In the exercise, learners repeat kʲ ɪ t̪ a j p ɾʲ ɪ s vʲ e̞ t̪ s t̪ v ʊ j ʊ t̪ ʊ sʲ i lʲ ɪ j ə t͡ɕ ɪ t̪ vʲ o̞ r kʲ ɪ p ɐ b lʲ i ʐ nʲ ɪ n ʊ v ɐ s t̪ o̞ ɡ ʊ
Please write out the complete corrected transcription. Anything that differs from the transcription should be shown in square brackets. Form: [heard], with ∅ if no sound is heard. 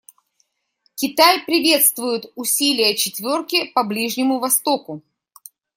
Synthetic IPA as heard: kʲ ɪ t̪ a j p ɾʲ ɪ [∅] vʲ e̞ t̪ s t̪ v ʊ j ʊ t̪ ʊ sʲ i lʲ ɪ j ə t͡ɕ ɪ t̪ vʲ o̞ r kʲ ɪ p ɐ b lʲ i ʐ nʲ ɪ [m] ʊ v ɐ s t̪ o̞ [k] ʊ